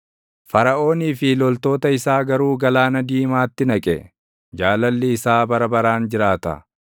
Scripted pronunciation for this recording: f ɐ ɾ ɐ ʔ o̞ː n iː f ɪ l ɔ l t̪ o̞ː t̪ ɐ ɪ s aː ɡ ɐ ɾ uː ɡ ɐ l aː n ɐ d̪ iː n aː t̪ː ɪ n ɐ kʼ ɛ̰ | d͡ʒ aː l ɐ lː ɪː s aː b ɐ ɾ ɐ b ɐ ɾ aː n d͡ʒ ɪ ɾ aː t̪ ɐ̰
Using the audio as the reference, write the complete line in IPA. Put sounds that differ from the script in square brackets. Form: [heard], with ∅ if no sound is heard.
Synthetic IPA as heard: f ɐ ɾ ɐ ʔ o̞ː n iː f ɪ l ɔ l t̪ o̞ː t̪ ɐ ɪ s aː ɡ ɐ ɾ uː ɡ ɐ l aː n ɐ d̪ iː [m] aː t̪ː ɪ n ɐ kʼ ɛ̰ | d͡ʒ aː l ɐ lː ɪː s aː b ɐ ɾ ɐ b ɐ ɾ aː n d͡ʒ ɪ ɾ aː t̪ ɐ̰